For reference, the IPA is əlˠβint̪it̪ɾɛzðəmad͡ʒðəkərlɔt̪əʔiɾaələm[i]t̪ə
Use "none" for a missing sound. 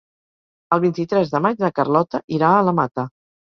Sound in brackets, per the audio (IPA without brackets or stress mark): a